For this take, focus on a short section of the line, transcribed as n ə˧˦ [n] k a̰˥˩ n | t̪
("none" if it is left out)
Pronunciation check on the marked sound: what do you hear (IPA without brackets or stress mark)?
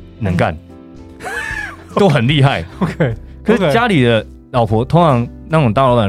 ŋ